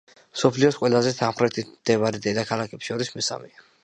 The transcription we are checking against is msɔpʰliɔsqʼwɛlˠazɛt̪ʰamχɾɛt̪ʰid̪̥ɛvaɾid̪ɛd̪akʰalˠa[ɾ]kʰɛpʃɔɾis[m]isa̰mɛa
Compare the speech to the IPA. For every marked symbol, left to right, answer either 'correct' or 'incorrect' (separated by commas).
incorrect, correct